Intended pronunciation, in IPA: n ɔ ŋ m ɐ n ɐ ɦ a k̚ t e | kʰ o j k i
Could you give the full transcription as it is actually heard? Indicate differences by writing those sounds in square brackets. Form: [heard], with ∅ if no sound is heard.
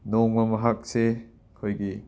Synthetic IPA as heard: n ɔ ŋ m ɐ [m] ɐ ɦ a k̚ [s] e | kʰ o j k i